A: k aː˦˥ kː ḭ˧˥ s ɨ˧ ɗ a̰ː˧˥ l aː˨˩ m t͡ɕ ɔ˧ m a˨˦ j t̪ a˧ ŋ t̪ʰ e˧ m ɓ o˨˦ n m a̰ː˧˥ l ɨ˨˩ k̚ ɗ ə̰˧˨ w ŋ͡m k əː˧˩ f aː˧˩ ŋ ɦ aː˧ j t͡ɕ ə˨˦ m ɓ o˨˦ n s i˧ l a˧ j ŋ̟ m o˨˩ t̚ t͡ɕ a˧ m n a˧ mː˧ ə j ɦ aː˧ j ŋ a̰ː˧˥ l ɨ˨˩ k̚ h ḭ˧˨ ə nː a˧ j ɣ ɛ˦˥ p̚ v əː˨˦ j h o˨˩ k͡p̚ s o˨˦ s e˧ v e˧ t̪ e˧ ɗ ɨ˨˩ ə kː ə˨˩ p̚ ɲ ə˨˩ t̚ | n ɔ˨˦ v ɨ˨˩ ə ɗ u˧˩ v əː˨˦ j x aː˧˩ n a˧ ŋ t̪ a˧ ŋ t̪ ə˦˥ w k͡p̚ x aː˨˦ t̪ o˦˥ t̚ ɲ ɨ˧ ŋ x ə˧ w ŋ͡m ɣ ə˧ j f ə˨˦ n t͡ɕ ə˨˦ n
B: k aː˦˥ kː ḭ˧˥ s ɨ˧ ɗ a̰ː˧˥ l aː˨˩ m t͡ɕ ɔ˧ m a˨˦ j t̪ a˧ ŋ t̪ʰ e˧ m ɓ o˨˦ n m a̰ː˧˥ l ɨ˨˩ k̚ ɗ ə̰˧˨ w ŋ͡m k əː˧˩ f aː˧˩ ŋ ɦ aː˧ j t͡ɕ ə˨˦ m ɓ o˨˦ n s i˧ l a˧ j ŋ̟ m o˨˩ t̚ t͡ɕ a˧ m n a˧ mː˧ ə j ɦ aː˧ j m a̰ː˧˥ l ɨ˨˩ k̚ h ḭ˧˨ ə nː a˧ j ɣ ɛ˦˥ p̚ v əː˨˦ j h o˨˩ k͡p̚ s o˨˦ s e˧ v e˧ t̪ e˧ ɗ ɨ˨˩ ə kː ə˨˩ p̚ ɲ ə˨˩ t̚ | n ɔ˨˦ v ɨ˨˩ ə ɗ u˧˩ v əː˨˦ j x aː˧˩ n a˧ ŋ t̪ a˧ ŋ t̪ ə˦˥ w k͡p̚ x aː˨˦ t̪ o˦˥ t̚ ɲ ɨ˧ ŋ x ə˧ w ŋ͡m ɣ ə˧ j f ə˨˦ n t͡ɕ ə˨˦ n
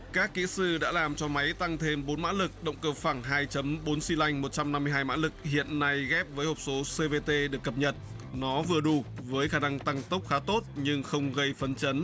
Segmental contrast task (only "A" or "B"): B